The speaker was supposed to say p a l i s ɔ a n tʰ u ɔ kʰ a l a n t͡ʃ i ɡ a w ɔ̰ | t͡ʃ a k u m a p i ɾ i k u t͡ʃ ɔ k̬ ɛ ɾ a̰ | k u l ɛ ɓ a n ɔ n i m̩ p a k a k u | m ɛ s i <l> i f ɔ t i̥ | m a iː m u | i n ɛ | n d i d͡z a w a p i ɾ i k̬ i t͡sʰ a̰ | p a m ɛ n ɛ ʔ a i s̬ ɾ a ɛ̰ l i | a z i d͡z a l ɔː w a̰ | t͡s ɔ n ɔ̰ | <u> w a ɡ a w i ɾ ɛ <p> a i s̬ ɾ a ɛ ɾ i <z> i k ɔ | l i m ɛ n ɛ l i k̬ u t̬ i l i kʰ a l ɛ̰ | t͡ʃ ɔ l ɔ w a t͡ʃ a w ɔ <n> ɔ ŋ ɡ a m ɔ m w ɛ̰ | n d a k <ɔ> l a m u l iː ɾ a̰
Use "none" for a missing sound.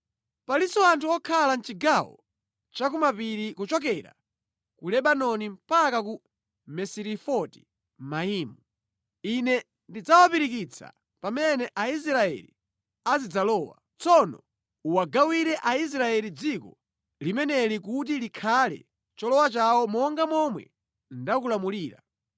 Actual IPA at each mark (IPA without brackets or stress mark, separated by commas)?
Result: ɾ, u, ʔ, d͡z, m, u